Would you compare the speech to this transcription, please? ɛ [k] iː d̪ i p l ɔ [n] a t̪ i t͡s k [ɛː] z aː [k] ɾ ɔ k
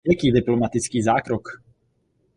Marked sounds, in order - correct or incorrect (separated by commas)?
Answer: correct, incorrect, incorrect, correct